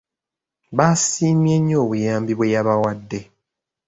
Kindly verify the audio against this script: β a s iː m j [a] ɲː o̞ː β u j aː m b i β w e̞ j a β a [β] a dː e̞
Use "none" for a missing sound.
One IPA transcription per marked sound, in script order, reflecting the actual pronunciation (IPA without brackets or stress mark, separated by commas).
e, w